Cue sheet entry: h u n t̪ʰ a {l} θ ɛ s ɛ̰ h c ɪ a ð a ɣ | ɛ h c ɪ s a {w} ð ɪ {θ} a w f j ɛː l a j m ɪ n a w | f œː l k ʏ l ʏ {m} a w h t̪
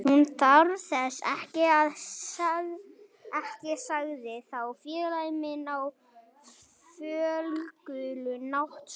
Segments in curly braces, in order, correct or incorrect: incorrect, incorrect, correct, incorrect

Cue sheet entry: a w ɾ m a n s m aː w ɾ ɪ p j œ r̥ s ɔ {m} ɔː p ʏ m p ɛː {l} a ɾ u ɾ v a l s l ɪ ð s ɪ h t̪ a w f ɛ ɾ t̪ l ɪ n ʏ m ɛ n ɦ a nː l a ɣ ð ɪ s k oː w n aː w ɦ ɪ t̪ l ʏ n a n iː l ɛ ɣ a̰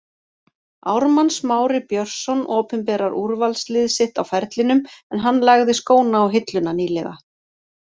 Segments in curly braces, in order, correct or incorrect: incorrect, incorrect

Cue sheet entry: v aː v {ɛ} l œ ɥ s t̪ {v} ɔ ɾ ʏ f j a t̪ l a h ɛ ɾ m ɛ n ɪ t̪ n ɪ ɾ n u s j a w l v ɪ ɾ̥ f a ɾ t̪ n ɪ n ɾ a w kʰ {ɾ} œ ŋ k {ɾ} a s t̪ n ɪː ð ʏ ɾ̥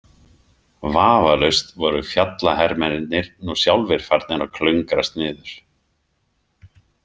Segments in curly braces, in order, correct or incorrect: incorrect, correct, incorrect, correct

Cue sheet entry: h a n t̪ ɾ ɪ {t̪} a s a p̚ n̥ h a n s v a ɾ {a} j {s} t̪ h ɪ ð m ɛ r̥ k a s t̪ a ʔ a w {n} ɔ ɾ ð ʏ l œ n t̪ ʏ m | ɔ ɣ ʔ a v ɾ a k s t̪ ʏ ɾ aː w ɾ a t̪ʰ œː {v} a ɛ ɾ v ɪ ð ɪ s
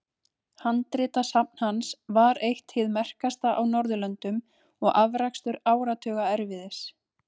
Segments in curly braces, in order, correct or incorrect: correct, incorrect, incorrect, correct, incorrect

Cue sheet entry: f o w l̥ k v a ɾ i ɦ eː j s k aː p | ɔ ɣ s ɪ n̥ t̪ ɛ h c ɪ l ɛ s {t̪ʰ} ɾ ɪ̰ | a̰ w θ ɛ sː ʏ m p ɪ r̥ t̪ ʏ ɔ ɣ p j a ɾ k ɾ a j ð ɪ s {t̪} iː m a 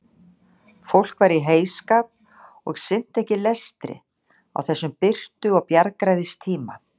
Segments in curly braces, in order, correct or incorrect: incorrect, incorrect

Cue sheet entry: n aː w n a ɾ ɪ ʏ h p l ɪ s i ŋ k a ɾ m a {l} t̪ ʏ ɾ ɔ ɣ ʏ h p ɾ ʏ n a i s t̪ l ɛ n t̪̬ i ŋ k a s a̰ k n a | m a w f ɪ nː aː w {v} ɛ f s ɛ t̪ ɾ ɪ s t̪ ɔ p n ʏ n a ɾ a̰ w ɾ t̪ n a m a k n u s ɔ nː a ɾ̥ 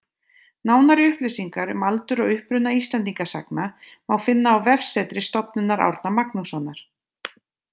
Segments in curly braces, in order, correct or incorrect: correct, correct

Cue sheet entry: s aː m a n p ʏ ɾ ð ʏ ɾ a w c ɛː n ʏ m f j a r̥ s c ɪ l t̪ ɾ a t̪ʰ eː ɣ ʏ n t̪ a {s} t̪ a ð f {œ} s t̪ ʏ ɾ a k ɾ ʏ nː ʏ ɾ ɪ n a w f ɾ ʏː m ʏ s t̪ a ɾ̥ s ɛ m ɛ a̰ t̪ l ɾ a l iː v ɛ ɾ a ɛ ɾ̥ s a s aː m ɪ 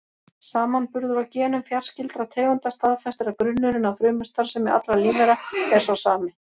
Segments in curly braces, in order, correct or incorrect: correct, incorrect

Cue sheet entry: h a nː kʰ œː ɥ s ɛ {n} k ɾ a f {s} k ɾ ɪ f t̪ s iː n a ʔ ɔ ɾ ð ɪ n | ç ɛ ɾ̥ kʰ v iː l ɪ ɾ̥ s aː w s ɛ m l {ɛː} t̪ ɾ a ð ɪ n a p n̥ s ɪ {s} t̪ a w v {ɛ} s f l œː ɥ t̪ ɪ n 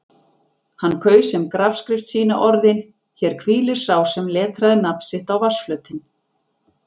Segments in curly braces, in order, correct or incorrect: incorrect, correct, correct, incorrect, incorrect

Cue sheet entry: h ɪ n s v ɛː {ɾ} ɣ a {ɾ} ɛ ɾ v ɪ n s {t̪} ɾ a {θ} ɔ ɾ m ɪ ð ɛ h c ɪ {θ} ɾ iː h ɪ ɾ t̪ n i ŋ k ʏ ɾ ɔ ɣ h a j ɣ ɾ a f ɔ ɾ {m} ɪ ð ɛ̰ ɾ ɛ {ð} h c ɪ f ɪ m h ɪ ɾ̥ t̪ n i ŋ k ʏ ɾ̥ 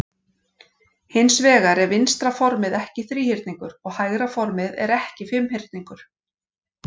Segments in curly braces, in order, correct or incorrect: incorrect, correct, correct, incorrect, correct, correct, incorrect

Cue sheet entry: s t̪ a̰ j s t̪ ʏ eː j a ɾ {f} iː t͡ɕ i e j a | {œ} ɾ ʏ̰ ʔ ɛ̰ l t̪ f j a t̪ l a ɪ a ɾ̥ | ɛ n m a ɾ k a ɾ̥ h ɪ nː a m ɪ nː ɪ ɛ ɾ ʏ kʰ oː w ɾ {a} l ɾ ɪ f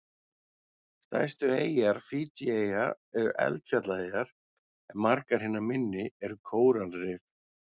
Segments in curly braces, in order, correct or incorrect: correct, incorrect, correct

